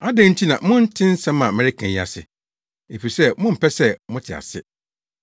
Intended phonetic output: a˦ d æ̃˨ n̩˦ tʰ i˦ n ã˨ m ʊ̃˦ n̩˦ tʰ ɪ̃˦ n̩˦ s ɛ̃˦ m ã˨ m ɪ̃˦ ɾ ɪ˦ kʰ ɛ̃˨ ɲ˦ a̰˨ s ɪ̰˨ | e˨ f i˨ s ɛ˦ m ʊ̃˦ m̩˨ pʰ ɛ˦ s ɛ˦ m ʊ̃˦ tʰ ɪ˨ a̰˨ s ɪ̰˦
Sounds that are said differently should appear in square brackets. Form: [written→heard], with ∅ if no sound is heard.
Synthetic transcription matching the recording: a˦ d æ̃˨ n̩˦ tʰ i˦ n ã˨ m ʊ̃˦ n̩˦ tʰ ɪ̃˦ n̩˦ s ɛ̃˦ m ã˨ m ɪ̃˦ ɾ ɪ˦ kʰ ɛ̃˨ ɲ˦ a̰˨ s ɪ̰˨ | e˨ f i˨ s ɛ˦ m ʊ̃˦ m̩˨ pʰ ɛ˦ s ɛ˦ m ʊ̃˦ tʰ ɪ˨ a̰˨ s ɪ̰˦